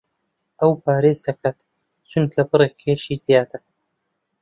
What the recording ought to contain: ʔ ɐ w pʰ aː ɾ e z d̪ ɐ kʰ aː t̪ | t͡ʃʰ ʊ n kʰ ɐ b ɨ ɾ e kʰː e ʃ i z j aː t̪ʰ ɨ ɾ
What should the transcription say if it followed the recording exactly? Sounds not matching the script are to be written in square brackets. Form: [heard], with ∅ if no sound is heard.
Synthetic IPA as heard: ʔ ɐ w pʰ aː ɾ e z d̪ ɐ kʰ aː t̪ | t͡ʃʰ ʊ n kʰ ɐ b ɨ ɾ e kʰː e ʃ i z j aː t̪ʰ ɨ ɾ